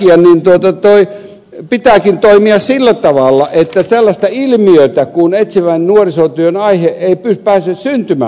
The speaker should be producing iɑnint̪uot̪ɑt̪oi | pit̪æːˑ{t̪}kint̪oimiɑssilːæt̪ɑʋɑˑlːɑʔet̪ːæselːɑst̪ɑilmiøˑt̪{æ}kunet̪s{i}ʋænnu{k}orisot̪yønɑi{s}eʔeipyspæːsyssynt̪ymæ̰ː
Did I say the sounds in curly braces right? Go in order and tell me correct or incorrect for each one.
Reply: incorrect: none, correct, correct, incorrect: none, incorrect: h

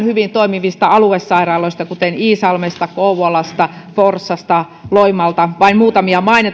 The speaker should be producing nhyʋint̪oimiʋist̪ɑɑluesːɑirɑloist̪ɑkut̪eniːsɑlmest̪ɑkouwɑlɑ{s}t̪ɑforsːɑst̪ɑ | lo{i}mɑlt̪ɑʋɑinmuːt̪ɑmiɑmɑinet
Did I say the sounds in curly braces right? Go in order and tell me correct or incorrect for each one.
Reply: correct, correct

